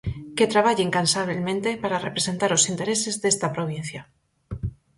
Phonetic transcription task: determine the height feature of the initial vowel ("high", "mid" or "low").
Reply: mid